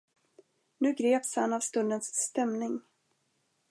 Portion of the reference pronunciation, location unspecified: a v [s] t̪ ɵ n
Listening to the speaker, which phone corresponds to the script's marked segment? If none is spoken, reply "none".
s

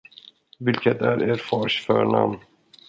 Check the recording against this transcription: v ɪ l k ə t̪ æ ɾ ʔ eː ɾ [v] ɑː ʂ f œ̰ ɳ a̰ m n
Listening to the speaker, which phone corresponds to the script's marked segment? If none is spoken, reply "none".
f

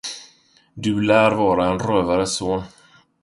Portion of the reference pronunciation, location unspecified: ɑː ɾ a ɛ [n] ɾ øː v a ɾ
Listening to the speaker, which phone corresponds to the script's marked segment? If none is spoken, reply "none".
n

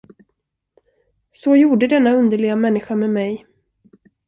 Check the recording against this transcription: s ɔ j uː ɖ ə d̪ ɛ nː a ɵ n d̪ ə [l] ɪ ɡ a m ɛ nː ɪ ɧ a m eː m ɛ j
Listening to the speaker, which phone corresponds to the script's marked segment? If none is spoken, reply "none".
ɭ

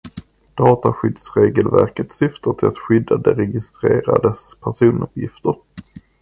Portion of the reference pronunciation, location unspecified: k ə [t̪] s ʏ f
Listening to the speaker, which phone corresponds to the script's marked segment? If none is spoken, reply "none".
t̪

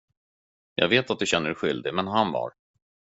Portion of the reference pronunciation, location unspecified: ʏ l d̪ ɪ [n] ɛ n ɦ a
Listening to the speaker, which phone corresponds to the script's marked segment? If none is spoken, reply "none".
m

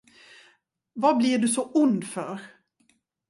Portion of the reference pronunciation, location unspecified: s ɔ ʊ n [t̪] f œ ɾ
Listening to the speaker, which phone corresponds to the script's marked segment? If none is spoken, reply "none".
d̪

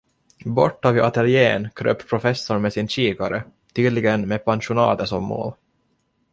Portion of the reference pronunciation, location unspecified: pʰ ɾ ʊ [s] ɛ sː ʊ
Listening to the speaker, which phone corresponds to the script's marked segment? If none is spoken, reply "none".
f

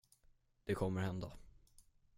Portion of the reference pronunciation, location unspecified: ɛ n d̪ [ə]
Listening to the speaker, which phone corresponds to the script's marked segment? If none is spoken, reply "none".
a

